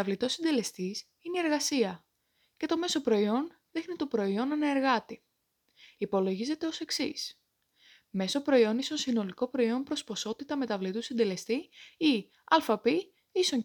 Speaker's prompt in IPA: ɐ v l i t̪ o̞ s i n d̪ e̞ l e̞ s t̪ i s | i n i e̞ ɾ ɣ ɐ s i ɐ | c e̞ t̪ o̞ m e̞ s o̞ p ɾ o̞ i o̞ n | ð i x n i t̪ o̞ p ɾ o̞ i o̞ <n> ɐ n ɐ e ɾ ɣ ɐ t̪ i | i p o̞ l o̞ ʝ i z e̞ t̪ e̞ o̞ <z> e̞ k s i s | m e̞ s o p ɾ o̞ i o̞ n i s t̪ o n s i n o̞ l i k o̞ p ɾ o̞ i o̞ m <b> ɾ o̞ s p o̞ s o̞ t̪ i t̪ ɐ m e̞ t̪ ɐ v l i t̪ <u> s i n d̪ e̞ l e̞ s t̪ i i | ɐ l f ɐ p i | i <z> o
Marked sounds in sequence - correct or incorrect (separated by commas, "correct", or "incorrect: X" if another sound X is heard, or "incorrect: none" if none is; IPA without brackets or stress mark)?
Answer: correct, incorrect: s, incorrect: p, correct, incorrect: s